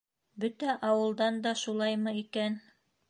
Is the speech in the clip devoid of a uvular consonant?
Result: yes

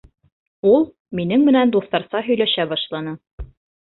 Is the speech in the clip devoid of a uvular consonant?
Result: yes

